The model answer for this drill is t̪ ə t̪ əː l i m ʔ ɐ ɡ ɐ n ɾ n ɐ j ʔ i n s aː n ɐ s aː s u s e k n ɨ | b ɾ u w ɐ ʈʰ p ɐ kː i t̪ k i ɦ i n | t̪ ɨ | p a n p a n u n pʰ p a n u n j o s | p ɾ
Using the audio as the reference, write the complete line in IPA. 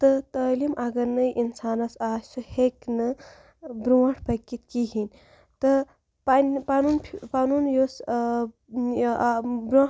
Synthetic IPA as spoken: t̪ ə t̪ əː l i m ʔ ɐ ɡ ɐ ɾ n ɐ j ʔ i n s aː n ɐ s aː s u h e k n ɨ | b ɾ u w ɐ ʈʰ p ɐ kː i t̪ k i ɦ i n | t̪ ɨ | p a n p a n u n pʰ p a n u n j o s | b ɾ